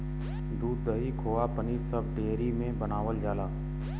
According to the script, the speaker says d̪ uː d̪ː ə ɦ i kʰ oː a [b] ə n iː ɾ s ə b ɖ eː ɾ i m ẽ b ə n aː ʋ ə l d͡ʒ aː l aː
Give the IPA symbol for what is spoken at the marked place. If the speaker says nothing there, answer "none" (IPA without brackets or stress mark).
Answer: p